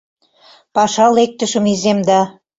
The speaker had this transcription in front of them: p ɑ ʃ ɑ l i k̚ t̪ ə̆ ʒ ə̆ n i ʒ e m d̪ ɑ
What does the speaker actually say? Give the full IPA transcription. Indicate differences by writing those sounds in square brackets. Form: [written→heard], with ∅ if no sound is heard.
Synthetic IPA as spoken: p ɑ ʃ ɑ l [i→e] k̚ t̪ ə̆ [ʒ→ʃ] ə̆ [n→m] i [ʒ→z] e m d̪ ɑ